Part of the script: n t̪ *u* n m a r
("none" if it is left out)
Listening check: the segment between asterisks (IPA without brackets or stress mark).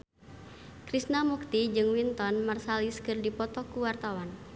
ɔ